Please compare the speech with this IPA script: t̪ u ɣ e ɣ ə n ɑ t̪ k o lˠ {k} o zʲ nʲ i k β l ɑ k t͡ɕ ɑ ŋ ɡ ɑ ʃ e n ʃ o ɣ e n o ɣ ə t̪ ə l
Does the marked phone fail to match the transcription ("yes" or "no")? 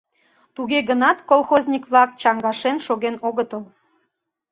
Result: yes